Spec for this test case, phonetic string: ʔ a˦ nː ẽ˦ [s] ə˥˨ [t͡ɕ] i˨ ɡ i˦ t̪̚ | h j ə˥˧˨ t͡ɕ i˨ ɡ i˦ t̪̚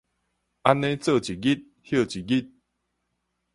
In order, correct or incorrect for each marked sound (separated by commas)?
incorrect, correct